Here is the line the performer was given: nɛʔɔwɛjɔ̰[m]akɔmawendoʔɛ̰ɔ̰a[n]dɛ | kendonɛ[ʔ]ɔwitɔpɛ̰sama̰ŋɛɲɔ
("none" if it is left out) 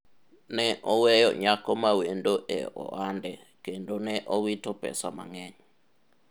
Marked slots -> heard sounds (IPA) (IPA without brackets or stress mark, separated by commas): ɲ, n, ʔ